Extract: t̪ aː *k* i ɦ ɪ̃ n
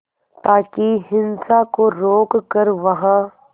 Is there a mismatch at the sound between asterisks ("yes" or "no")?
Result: no